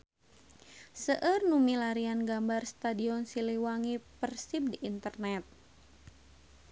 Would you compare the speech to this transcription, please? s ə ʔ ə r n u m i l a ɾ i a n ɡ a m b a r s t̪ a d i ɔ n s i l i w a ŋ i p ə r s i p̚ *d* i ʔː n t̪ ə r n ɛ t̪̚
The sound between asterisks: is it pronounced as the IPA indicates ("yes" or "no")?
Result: yes